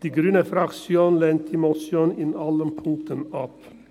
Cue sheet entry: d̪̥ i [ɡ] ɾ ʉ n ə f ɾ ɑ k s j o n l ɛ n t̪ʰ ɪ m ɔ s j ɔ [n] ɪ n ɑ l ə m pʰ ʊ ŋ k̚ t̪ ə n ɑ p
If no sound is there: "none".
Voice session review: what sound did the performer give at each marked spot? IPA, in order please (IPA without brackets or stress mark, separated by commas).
ɡ, n